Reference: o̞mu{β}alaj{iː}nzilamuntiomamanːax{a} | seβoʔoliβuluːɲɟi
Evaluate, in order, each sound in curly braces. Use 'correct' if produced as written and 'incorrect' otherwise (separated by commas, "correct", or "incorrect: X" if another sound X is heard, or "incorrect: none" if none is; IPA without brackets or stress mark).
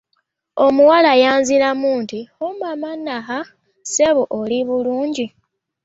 incorrect: w, incorrect: aː, correct